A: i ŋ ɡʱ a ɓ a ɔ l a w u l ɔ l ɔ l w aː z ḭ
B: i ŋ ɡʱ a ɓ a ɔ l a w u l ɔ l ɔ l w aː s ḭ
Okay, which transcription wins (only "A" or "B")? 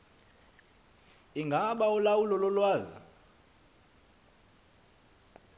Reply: A